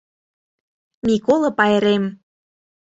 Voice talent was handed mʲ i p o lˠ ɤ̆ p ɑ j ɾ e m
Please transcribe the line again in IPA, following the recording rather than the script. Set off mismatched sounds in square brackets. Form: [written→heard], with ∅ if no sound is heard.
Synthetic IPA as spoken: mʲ i [p→k] o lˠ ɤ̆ p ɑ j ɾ e m